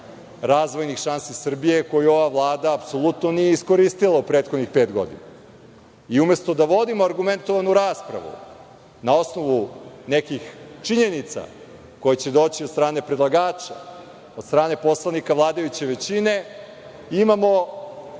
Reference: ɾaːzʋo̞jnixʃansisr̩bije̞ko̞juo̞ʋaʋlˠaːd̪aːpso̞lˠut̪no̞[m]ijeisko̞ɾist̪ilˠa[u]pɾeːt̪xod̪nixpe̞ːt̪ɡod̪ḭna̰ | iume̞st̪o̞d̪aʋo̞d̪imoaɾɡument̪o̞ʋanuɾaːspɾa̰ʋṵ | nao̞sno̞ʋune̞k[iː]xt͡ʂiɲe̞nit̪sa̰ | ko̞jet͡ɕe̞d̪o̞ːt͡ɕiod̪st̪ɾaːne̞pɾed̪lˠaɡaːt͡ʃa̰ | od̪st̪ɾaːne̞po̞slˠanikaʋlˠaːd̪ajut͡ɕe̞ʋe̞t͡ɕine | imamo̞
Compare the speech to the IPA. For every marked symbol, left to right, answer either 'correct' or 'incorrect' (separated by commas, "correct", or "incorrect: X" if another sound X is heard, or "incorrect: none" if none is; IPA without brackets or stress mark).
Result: incorrect: n, correct, incorrect: i